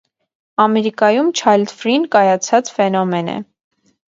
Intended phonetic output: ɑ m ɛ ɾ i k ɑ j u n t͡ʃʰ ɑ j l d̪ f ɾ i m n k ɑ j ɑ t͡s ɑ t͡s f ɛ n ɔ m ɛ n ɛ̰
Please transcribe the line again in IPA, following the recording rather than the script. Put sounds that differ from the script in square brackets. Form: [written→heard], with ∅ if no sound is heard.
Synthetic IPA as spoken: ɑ m ɛ ɾ i k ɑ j u [n→m] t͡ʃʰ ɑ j l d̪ f ɾ i [m→∅] n k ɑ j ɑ [t͡s→t͡sʰ] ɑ t͡s f ɛ n ɔ m ɛ n ɛ̰